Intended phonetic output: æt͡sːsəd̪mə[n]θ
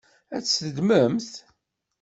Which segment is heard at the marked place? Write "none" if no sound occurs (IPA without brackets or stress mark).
m